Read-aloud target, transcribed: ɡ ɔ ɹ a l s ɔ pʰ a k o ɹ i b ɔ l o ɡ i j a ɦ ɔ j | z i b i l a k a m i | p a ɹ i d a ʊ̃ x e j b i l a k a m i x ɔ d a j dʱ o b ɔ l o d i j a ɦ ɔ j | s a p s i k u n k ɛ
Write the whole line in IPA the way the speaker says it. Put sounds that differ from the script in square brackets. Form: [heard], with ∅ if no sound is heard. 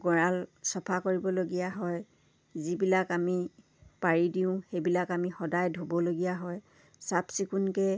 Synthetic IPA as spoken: ɡ ɔ ɹ a l s ɔ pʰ a k o ɹ i b ɔ l o ɡ i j a ɦ ɔ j | z i b i l a k a m i | p a ɹ i d [i] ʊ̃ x e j b i l a k a m i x ɔ d a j dʱ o b ɔ l o [ɡ] i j a ɦ ɔ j | s a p s i k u n k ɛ

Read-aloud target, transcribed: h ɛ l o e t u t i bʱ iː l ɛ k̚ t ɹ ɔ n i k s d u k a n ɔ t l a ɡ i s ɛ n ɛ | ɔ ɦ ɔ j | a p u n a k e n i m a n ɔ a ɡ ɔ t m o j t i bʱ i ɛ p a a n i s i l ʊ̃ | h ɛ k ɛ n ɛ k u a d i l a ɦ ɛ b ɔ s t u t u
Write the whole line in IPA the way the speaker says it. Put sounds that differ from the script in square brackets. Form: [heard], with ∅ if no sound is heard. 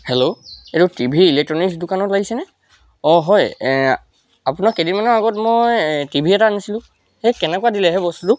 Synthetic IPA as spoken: h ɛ l o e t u t i bʱ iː l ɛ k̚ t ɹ ɔ n i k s d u k a n ɔ t l a ɡ i s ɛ n ɛ | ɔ ɦ ɔ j | a p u n a k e [d] i m a n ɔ a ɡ ɔ t m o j t i bʱ i ɛ [t] a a n i s i l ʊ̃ | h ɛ k ɛ n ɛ k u a d i l [ɛ] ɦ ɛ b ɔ s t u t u

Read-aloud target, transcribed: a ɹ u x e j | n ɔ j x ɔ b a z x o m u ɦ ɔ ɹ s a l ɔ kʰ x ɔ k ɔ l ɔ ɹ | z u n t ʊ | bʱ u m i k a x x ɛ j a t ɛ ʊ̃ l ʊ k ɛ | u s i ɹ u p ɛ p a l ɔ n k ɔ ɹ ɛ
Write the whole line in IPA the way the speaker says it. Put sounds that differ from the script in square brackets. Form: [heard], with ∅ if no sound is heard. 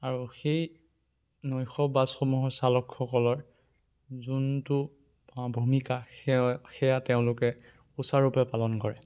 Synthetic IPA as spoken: a ɹ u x e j | n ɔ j x ɔ b a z x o m u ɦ ɔ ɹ s a l ɔ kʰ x ɔ k ɔ l ɔ ɹ | z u n t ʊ | bʱ u m i k a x x ɛ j a t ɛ ʊ̃ l ʊ k ɛ | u s [a] ɹ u p ɛ p a l ɔ n k ɔ ɹ ɛ

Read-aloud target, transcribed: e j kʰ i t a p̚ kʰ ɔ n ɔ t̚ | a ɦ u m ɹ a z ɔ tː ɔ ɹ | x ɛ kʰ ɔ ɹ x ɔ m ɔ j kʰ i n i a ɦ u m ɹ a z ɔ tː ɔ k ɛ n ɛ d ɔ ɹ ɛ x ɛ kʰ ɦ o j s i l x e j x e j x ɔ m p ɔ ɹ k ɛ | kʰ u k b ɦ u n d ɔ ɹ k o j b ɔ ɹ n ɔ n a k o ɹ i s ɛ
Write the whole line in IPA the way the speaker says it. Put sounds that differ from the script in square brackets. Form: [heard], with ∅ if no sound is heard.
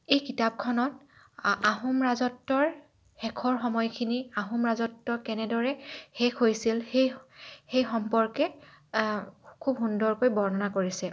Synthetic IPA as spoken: e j [k] i t a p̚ kʰ ɔ n ɔ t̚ | a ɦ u m ɹ a z ɔ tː ɔ ɹ | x ɛ kʰ ɔ ɹ x ɔ m ɔ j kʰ i n i a ɦ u m ɹ a z ɔ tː ɔ k ɛ n ɛ d ɔ ɹ ɛ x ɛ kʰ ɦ o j s i l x e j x e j x ɔ m p ɔ ɹ k ɛ | kʰ u [∅] b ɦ u n d ɔ ɹ k o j b ɔ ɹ n ɔ n a k o ɹ i s ɛ

